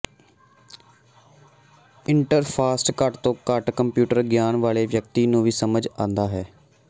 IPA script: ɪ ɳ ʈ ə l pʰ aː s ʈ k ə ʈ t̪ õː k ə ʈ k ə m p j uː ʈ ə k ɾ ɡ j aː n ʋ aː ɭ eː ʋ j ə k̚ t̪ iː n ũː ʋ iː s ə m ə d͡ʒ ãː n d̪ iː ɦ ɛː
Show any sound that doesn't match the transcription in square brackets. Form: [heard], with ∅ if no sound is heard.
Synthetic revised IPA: ɪ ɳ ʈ ə [ɾ] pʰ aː s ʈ k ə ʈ t̪ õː k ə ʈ k ə m p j uː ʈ ə [∅] ɾ ɡ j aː n ʋ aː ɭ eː ʋ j ə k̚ t̪ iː n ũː ʋ iː s ə m ə d͡ʒ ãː n d̪ [aː] ɦ ɛː